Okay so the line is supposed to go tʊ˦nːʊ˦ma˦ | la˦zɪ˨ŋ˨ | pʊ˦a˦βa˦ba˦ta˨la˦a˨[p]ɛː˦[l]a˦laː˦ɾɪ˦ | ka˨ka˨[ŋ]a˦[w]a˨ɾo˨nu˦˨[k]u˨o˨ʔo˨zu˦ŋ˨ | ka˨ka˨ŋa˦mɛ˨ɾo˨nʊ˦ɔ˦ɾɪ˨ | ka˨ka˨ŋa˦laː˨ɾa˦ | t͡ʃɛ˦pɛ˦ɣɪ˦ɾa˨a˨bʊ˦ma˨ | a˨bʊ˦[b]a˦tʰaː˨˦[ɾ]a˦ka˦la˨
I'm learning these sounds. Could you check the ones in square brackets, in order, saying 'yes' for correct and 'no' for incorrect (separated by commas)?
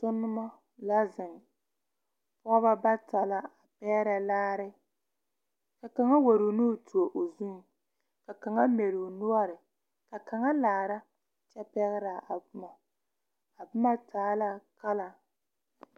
yes, no, yes, yes, no, no, no